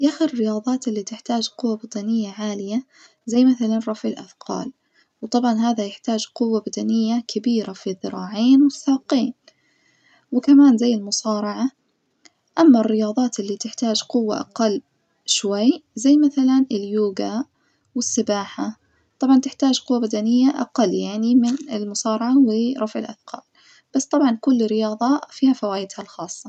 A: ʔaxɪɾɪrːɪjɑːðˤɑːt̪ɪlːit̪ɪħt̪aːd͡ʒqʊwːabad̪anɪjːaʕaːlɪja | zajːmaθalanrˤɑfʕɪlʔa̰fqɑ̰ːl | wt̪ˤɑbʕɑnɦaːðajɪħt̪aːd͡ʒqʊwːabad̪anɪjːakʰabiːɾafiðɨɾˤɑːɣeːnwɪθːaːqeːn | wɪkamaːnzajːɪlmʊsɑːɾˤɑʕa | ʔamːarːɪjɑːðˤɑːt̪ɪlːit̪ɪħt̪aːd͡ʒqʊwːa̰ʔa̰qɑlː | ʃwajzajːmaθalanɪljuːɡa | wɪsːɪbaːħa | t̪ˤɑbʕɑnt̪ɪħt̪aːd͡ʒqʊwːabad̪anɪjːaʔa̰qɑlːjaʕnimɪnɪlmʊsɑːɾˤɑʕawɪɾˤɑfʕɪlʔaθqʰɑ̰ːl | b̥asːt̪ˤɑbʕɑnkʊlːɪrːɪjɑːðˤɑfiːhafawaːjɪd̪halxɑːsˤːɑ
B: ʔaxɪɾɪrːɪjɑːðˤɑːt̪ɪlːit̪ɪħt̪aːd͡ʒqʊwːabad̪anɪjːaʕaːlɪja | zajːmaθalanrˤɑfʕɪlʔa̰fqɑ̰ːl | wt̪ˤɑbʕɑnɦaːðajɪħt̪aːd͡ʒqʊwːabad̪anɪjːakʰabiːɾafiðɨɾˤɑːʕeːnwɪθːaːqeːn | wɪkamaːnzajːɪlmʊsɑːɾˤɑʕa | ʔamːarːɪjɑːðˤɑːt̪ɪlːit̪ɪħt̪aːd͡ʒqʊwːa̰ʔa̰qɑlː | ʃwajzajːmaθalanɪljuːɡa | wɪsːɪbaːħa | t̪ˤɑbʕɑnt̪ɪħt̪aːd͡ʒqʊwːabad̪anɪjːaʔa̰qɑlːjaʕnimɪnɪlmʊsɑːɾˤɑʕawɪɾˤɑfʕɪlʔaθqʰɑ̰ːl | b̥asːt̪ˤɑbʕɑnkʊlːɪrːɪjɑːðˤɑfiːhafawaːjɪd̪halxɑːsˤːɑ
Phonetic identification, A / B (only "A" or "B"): B